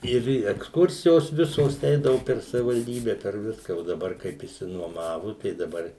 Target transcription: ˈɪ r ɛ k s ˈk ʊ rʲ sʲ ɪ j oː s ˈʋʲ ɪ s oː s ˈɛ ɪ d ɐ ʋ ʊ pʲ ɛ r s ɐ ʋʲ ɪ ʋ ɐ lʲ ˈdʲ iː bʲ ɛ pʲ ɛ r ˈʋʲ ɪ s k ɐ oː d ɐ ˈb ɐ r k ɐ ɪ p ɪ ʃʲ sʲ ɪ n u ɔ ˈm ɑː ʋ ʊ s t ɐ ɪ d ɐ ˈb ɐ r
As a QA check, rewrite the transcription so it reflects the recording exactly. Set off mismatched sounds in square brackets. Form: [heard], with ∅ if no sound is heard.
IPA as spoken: ˈɪ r ɛ k s ˈk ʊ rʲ sʲ ɪ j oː s ˈʋʲ ɪ s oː s ˈɛ ɪ d ɐ ʋ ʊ pʲ ɛ r s ɐ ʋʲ ɪ ʋ ɐ lʲ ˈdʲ iː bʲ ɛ pʲ ɛ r ˈʋʲ ɪ s k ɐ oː d ɐ ˈb ɐ r k ɐ ɪ p ɪ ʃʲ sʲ ɪ n u ɔ ˈm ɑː ʋ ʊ [∅] t ɐ ɪ d ɐ ˈb ɐ r